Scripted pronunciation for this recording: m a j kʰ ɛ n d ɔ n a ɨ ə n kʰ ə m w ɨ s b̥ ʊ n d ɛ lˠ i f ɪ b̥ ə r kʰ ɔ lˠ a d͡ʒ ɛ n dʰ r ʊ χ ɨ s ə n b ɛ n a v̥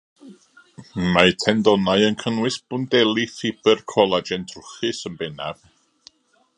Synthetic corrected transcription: m a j tʰ ɛ n d ɔ n a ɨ ə n kʰ ə n w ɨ s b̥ ʊ n d ɛ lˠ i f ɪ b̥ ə r kʰ ɔ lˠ a d͡ʒ ɛ n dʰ r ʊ χ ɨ s ə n b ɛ n a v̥